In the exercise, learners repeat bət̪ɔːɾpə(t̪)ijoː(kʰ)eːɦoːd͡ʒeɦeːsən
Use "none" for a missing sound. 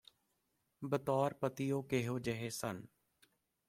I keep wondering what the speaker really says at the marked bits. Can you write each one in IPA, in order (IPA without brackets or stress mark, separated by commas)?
t̪, k